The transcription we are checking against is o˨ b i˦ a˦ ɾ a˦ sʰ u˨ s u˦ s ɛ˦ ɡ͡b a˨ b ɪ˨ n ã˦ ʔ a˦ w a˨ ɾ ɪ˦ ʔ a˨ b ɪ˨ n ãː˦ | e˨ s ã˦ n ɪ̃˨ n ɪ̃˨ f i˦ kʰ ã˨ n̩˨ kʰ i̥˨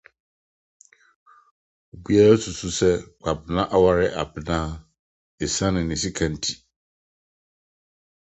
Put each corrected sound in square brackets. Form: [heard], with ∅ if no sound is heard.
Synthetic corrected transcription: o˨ b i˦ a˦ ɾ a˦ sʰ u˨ s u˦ s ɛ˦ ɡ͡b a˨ b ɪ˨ n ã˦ ʔ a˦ w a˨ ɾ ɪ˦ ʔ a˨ b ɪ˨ n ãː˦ | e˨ s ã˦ n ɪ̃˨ n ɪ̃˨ [s] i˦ kʰ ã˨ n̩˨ [tʰ] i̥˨